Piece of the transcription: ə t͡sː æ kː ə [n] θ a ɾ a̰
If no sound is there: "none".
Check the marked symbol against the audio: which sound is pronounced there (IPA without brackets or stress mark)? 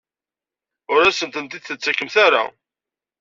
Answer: m